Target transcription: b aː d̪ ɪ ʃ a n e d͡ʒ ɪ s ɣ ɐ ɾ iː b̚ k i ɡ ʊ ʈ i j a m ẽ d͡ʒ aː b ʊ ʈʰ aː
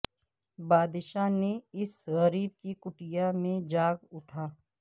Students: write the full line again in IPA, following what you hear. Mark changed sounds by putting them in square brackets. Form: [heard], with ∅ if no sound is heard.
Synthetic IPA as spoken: b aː d̪ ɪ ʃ a n e [∅] ɪ s ɣ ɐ ɾ iː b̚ k i [k] ʊ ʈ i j a m ẽ d͡ʒ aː [ɡ] ʊ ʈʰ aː